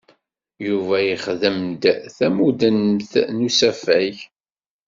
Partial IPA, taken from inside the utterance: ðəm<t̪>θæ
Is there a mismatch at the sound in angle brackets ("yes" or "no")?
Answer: yes